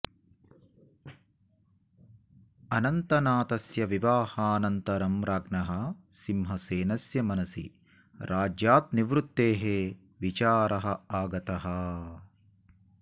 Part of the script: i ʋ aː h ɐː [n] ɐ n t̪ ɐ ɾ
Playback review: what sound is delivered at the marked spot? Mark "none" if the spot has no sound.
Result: n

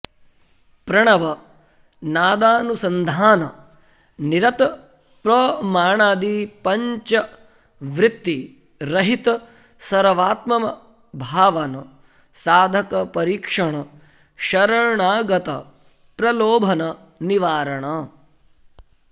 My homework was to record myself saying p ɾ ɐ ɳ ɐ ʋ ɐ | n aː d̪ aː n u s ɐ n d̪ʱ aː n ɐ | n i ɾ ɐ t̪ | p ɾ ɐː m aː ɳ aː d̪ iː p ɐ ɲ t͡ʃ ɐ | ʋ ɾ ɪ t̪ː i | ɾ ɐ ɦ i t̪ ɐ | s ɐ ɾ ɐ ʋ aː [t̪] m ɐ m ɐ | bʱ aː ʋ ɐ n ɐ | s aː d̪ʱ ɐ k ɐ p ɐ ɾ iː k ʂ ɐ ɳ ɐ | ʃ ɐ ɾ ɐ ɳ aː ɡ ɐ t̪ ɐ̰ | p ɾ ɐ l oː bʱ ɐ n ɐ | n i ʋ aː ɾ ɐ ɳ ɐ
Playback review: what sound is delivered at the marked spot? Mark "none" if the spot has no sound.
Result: t̪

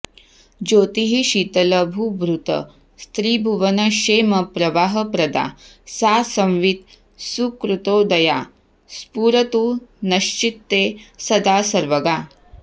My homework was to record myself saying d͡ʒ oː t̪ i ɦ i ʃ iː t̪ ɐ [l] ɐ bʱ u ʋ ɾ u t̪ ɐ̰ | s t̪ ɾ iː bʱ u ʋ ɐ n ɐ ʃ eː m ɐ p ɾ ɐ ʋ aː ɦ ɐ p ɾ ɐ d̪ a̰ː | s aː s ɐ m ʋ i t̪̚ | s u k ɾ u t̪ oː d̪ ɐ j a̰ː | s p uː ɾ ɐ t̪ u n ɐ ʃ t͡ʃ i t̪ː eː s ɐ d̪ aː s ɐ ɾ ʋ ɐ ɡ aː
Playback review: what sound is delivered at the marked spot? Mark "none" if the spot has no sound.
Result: l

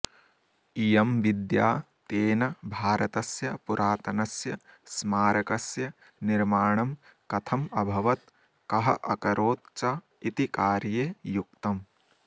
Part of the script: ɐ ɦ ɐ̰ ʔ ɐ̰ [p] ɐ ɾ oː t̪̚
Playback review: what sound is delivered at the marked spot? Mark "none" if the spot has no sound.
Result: k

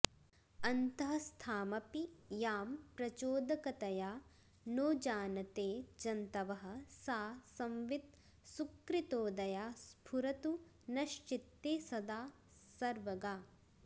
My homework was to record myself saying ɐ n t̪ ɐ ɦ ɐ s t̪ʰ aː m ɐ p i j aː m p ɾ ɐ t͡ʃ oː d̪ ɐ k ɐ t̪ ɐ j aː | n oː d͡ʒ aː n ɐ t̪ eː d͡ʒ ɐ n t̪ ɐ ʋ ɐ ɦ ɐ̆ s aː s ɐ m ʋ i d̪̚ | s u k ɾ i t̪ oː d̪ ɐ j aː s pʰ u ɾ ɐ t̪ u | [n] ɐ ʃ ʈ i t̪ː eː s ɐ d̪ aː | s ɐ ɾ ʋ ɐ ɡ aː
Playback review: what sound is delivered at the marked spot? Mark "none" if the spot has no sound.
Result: n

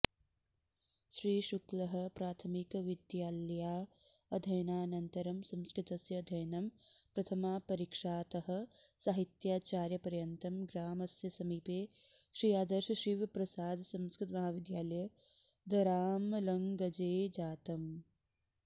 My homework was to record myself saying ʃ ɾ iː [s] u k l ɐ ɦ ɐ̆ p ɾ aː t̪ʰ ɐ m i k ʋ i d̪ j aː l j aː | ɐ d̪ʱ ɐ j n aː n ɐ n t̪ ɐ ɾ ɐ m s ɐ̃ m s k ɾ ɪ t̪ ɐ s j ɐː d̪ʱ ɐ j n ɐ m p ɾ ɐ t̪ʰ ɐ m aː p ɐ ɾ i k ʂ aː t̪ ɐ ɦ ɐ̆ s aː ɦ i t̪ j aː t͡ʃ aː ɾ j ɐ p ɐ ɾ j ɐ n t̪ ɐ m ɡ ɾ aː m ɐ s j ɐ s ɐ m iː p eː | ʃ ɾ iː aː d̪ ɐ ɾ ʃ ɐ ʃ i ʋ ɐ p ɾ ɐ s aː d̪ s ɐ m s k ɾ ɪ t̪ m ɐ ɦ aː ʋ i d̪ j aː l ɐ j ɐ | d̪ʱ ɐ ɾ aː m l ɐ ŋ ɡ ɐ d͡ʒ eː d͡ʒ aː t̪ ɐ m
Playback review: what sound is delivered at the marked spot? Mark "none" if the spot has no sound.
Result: ʃ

